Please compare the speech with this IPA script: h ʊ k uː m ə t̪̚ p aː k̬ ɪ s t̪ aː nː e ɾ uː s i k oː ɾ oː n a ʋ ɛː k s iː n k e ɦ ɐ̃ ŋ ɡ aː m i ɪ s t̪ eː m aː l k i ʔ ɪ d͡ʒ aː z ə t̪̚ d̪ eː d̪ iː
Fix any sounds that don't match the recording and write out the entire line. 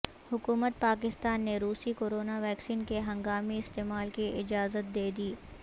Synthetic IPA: h ʊ k uː m ə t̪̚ p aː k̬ ɪ s t̪ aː nː e ɾ uː s i k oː ɾ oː n a ʋ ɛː k s iː n k e ɦ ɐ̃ ŋ ɡ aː m i ɪ s t̪ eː m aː l k i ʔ ɪ d͡ʒ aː z ə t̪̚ d̪ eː d̪ iː